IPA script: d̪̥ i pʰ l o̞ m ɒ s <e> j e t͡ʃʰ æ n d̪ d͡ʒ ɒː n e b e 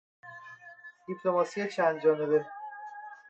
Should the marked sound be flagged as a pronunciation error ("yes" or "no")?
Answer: yes